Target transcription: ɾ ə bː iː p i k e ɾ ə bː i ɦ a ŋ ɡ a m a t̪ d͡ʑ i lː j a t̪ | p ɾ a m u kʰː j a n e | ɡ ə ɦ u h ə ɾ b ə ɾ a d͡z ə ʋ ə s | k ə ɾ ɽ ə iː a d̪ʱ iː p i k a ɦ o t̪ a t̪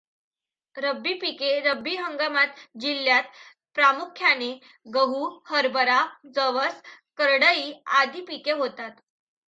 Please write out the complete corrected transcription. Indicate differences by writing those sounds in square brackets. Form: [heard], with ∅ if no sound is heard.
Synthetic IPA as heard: ɾ ə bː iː p i k e ɾ ə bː i ɦ [ə] ŋ ɡ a m a t̪ d͡ʑ i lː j a t̪ | p ɾ a m u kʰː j a n e | ɡ ə ɦ u h ə ɾ b ə ɾ a d͡z ə ʋ ə s | k ə ɾ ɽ ə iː a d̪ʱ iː p i k [e] ɦ o t̪ a t̪

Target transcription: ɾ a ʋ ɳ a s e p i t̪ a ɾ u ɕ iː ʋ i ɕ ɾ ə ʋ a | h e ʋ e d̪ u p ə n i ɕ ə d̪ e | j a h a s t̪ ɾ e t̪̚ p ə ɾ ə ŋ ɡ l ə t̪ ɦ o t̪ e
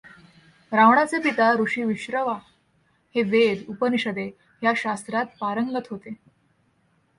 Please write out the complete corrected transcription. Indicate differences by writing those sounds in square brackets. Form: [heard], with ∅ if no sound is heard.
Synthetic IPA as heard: ɾ a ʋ ɳ a [t͡s] e p i t̪ a ɾ u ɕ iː ʋ i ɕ ɾ ə ʋ a | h e ʋ e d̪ u p ə n i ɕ ə d̪ e | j a [ɕ] a s t̪ ɾ [a] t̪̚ p [a] ɾ ə ŋ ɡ l ə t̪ ɦ o t̪ e

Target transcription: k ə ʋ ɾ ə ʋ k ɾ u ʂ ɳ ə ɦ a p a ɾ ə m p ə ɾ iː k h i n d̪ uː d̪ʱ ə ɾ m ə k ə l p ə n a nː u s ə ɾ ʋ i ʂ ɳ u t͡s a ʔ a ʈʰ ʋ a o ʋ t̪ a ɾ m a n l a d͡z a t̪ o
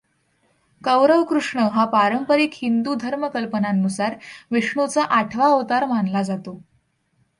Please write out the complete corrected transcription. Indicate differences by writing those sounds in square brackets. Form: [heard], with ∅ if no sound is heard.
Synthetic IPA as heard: k ə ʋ ɾ ə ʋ k ɾ u ʂ ɳ ə ɦ a p a ɾ ə m p ə ɾ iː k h i n d̪ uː d̪ʱ ə ɾ m ə k ə l p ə n a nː u s [a] ɾ ʋ i ʂ ɳ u t͡s a ʔ a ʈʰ ʋ a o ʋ t̪ a ɾ m a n l a d͡z a t̪ o

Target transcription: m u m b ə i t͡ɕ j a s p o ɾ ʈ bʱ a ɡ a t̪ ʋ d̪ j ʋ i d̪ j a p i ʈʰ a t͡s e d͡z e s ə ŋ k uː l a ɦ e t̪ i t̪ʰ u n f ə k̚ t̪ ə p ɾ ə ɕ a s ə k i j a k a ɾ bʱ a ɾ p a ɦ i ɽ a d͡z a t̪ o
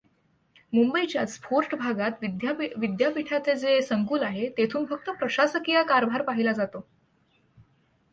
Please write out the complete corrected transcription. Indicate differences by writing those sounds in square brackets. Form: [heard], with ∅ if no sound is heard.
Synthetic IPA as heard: m u m b ə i t͡ɕ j a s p o ɾ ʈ bʱ a ɡ a t̪ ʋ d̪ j ʋ i d̪ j a p i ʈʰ a t͡s e d͡z e s ə ŋ k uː l a ɦ e t̪ [e] t̪ʰ [uː] n f ə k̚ t̪ ə p ɾ ə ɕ a s ə k i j a k a ɾ bʱ a ɾ p a ɦ i [l] a d͡z a t̪ o

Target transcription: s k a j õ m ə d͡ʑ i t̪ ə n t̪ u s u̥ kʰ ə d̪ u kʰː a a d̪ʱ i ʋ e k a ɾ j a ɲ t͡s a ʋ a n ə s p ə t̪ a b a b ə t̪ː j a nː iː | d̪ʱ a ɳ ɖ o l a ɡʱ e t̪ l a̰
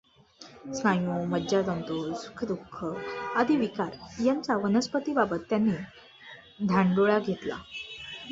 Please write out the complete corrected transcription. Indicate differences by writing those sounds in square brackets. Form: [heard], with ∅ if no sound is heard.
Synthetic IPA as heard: s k a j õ m ə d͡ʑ [a] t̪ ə n t̪ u s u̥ kʰ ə d̪ u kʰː [ə] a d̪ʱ i ʋ [i] k a ɾ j a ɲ t͡s a ʋ [ə] n ə s p ə t̪ [i] b a b ə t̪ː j a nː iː | d̪ʱ a ɳ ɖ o [ɭ] a ɡʱ e t̪ l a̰

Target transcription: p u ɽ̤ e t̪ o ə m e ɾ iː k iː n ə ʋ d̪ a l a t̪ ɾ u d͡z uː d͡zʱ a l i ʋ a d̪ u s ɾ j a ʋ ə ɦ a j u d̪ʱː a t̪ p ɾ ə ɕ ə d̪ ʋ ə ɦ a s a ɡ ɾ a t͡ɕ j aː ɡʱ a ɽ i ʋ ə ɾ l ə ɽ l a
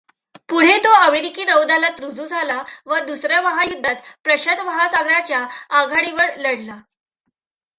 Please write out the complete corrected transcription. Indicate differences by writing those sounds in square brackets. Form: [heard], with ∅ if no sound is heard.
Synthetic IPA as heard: p u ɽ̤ e t̪ o ə m e ɾ [i] k iː n ə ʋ d̪ a l a t̪ ɾ u d͡z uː d͡zʱ a l [a] ʋ [ə] d̪ u s ɾ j a ʋ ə ɦ a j u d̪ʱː a t̪ p ɾ ə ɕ ə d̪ ʋ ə ɦ a s a ɡ ɾ a t͡ɕ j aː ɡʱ a ɽ i ʋ ə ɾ l ə ɽ l a

